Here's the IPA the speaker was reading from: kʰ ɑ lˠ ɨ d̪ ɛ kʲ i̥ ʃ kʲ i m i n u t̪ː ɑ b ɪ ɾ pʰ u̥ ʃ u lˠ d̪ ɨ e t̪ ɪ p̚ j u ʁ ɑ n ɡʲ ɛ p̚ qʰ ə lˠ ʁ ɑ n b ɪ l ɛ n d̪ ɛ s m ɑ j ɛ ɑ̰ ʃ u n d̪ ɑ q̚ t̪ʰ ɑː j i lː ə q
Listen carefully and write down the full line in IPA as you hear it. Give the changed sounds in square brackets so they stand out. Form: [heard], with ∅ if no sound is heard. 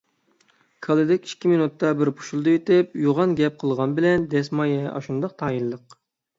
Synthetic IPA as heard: kʰ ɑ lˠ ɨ d̪ ɛ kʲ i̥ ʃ kʲ i m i n u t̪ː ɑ b ɪ ɾ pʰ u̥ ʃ u lˠ d̪ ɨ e t̪ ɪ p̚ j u ʁ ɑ n ɡʲ ɛ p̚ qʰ ə lˠ ʁ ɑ n b ɪ l ɛ n d̪ ɛ s m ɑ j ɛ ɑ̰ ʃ u n d̪ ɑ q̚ t̪ʰ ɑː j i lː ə q